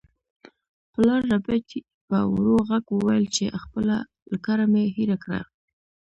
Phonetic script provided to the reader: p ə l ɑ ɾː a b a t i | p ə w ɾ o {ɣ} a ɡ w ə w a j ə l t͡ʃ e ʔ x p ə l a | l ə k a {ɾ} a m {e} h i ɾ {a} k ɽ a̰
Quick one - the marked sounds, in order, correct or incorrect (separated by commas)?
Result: correct, correct, correct, correct